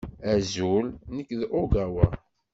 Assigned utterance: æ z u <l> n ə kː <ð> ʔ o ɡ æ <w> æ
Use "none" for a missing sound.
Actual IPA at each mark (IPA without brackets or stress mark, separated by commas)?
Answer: l, ð, w